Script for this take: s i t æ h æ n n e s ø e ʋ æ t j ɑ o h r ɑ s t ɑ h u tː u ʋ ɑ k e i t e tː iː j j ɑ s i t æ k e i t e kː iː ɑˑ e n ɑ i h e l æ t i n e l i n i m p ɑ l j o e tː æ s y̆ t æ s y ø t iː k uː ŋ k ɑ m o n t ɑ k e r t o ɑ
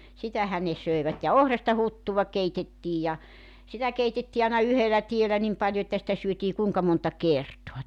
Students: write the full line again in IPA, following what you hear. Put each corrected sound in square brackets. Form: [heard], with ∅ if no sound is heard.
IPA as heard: s i t æ h æ n n e s ø e ʋ æ t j ɑ o h r ɑ s t ɑ h u tː u ʋ ɑ k e i t e tː iː j j ɑ s i t æ k e i t e [tː] iː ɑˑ e n ɑ [y] h e l æ t i [∅] e l [æ] n i m p ɑ l j o e tː æ s [ĭ] t æ s y ø t iː k uː ŋ k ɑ m o n t ɑ k e r t o ɑ

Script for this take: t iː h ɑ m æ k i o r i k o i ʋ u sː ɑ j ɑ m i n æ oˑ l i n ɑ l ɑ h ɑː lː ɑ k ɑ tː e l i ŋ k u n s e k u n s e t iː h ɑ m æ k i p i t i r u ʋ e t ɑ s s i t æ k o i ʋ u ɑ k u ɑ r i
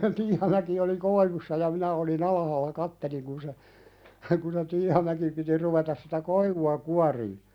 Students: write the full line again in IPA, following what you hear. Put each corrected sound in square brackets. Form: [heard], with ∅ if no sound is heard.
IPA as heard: t iː h ɑ m æ k i o [l] i k o i ʋ u sː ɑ j ɑ m i n æ oˑ l i n ɑ l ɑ h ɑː lː ɑ k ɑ tː e l i ŋ k u n s e k u n s e t iː h ɑ m æ k i p i t i r u ʋ e t ɑ s s i t æ k o i ʋ u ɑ k u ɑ r [iː]

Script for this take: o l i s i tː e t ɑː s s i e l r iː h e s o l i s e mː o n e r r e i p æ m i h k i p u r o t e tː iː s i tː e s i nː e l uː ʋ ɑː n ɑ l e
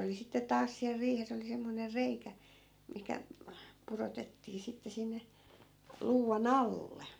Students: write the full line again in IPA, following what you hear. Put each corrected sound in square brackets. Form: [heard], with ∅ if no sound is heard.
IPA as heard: o l i s i tː e t ɑː s s i [æ] l r iː h e s o l i s e mː o n e r r e i [k] æ m i h k [æ] p u r o t e tː iː s i tː e s i nː e l uː ʋ [ɑ] n ɑ [lː] e

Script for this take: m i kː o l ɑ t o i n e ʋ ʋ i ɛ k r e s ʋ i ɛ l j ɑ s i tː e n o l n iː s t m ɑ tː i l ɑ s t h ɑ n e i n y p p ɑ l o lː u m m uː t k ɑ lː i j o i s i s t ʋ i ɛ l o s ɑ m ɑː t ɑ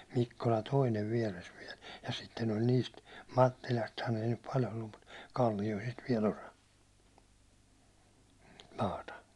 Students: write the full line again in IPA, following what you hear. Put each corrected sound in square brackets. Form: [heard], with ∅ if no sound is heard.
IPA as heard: m i kː o l ɑ t o i n e ʋ ʋ i ɛ [∅] r e s ʋ i ɛ l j ɑ s i tː e n o l n iː s t m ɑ tː i l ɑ s t h ɑ n e i n y p p ɑ l o lː u m m [u] t k ɑ lː i j o i s i s t ʋ i ɛ l o s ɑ m ɑː t ɑ

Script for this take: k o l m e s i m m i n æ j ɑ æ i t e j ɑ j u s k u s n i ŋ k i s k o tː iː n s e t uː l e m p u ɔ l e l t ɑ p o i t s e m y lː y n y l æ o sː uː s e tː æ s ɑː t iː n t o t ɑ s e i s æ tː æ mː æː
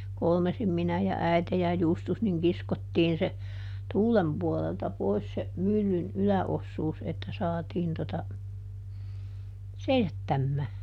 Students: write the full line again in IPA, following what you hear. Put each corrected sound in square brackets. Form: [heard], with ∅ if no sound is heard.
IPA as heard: k o l m e s i m m i n æ j ɑ æ i t e j ɑ j u s [t] u s n i ŋ k i s k o tː iː n s e t uː l e m p u ɔ l e l t ɑ p o i [s] s e m y lː y n y l æ o sː uː s e tː æ s ɑː t iː n t o t ɑ s e i s æ tː æ mː æː

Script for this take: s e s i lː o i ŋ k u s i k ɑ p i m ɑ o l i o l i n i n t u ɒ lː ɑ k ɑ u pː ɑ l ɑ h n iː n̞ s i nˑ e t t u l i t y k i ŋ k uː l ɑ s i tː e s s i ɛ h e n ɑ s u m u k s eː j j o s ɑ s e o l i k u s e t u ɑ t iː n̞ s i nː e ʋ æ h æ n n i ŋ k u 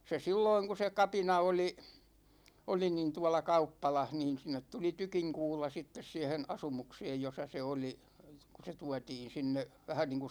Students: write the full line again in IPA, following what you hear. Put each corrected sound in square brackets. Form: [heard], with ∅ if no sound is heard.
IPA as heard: s e s i lː o i ŋ k u s [e] k ɑ p i [n] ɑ o l i o l i n i n t u ɒ [l] ɑ k ɑ u pː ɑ l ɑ h n iː n̞ s i nˑ e t t u l i t y k i ŋ k uː l ɑ s i tː e s s i ɛ h e n ɑ s u m u k s eː j j o s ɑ s e o l i k u s e t u ɑ t iː n̞ s i nː e ʋ æ h æ n n [iː] ŋ k u

